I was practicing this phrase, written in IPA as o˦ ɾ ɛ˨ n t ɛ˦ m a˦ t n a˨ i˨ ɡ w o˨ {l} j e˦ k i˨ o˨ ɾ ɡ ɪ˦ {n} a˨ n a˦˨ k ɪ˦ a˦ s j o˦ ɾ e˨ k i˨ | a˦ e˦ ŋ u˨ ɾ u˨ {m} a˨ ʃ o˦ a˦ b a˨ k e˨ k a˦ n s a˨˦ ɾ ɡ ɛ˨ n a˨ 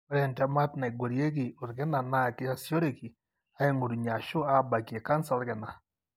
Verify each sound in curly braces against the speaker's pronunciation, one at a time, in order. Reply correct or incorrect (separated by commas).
incorrect, correct, incorrect